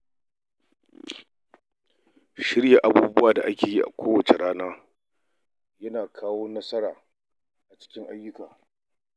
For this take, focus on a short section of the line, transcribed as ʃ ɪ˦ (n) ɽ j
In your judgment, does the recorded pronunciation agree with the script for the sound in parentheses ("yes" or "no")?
no